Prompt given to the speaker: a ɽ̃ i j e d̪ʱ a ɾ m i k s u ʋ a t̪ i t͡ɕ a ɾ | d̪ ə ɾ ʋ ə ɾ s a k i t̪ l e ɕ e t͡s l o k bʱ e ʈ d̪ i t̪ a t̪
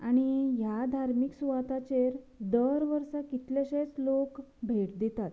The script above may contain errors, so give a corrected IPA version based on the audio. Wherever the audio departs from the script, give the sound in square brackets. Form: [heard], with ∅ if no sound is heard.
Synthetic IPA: a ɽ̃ i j [a] d̪ʱ a ɾ m i k s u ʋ a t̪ [a] t͡ɕ [e] ɾ | d̪ ə ɾ ʋ ə ɾ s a k i t̪ l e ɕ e t͡s l o k bʱ e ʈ d̪ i t̪ a t̪

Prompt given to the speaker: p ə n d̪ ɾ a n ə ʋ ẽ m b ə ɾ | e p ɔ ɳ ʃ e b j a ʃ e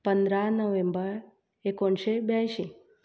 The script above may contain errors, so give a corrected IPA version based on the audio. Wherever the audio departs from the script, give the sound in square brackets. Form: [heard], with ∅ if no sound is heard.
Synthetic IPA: p ə n d̪ ɾ a n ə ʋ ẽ m b ə ɾ | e [k] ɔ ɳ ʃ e b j a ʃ [i]

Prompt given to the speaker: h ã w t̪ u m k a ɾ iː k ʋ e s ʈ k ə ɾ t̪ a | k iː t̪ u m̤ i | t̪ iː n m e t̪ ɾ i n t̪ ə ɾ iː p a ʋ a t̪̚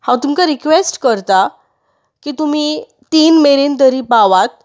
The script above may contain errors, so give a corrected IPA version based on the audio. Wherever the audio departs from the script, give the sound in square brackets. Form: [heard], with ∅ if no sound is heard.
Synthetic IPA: h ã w t̪ u m k a ɾ [i] k ʋ e s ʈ k ə ɾ t̪ a | k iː t̪ u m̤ i | t̪ iː n m e [∅] ɾ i n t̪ ə ɾ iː p a ʋ a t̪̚

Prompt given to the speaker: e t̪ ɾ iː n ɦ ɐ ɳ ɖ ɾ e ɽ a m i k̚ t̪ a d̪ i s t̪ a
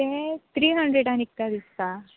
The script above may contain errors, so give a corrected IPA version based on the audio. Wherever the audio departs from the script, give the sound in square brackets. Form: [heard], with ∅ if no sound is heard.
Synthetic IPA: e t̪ ɾ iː [∅] ɦ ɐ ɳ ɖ ɾ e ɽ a [n] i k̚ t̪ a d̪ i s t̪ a

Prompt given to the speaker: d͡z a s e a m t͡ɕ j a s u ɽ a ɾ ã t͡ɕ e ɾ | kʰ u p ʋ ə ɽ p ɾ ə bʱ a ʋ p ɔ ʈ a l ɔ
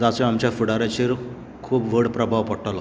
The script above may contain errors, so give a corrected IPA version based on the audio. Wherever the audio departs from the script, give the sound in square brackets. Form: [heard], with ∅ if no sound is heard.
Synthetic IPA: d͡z a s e a m t͡ɕ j a [f] u ɽ a ɾ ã t͡ɕ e ɾ | kʰ [uː] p ʋ ə ɽ p ɾ ə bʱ a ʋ p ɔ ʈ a l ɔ

